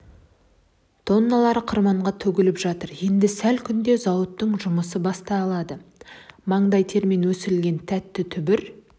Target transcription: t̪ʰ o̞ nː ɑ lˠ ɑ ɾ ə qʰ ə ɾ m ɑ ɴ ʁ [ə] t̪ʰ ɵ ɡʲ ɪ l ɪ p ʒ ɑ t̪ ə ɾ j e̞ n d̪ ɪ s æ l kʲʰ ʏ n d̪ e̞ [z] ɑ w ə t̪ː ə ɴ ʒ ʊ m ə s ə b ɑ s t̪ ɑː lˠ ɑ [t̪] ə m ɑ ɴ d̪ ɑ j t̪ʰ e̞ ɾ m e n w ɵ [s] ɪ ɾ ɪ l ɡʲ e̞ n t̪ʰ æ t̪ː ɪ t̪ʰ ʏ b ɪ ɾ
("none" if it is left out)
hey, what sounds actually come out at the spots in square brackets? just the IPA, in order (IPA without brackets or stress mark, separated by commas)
ɑ, z, d̪, s